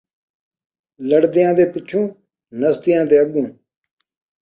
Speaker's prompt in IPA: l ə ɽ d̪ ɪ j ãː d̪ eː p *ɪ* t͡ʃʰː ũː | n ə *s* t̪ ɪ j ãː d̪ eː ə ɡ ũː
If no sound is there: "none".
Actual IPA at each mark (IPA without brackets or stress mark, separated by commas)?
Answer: ɪ, s